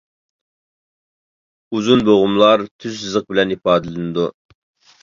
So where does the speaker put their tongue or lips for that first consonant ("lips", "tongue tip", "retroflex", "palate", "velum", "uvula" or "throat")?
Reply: tongue tip